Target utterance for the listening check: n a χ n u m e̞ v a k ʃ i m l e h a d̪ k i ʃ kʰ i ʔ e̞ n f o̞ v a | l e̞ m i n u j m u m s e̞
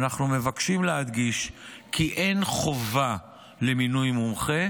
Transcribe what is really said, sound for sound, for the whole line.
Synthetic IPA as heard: n a χ n u m e̞ v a k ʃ i m l e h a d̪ ɡ i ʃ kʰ i ʔ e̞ n χ o̞ v a | l e̞ m i n u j m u m χ e̞